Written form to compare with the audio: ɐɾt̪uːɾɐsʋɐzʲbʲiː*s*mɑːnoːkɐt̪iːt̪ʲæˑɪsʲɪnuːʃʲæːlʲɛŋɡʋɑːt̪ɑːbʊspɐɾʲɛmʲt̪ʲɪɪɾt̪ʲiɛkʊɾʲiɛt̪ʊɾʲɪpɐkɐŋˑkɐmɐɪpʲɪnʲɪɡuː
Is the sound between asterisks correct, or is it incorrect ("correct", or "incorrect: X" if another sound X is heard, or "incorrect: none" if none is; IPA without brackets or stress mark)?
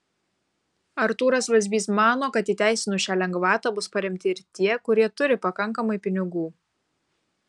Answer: correct